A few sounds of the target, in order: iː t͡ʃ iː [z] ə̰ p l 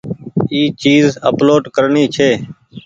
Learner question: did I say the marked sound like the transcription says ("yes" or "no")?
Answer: yes